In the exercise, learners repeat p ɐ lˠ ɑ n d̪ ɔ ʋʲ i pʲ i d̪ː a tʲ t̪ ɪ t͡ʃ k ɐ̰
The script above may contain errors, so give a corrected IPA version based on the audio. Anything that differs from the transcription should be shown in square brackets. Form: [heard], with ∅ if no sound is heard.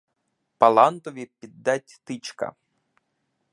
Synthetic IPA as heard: p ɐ lˠ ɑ n [t̪] ɔ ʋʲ i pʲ i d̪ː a tʲ t̪ ɪ t͡ʃ k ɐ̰